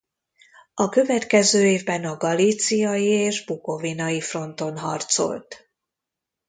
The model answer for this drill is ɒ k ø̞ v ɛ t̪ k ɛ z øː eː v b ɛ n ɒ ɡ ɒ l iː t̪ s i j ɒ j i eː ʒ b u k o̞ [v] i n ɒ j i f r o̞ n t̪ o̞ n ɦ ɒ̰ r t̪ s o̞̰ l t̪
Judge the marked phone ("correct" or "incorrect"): correct